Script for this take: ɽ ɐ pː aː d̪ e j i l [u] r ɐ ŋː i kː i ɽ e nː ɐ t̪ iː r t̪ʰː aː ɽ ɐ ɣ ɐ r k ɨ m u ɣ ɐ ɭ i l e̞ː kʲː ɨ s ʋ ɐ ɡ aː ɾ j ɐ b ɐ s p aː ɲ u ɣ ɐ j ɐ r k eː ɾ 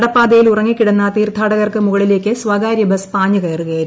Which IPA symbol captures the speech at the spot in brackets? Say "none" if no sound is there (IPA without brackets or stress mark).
u